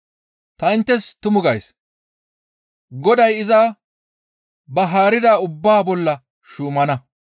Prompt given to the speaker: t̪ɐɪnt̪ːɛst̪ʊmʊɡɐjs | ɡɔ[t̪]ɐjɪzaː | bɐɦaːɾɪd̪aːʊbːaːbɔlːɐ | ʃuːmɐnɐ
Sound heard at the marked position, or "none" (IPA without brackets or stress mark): d̪